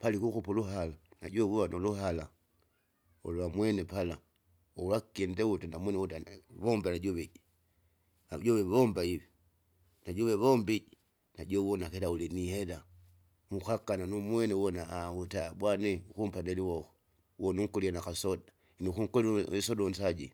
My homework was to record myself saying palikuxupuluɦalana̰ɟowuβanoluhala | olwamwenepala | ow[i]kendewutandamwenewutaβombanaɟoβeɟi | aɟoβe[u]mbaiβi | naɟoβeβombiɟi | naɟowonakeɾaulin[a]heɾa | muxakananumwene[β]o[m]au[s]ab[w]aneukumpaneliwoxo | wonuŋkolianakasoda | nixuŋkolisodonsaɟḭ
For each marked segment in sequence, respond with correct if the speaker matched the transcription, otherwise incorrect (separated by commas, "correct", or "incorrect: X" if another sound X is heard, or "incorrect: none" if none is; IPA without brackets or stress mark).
incorrect: a, incorrect: o, incorrect: i, incorrect: w, incorrect: n, incorrect: t, correct